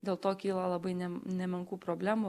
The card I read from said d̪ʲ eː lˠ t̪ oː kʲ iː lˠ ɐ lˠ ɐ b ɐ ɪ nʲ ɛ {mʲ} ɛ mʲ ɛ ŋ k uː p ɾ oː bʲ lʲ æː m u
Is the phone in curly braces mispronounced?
yes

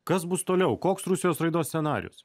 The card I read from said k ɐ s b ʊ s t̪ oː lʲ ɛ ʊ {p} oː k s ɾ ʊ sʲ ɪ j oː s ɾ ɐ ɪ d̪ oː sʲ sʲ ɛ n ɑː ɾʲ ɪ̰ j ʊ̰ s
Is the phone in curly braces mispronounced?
yes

